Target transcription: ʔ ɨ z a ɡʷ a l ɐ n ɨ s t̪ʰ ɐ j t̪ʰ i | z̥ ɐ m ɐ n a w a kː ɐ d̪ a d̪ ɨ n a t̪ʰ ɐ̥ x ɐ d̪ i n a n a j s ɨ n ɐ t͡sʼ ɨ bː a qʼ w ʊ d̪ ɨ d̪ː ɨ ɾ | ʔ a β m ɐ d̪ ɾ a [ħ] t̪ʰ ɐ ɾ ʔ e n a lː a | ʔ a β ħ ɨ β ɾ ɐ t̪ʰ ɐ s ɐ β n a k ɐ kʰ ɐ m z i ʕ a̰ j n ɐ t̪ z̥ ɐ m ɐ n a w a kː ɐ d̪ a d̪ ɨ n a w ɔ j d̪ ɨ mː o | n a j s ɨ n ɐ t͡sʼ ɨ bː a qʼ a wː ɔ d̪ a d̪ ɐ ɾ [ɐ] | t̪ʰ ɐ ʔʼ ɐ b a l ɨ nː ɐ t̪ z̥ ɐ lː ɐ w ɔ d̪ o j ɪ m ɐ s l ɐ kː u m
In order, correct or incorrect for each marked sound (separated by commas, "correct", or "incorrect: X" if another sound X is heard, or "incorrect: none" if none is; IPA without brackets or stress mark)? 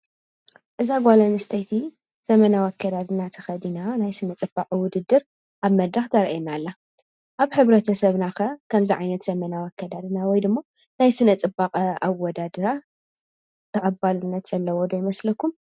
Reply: incorrect: x, incorrect: a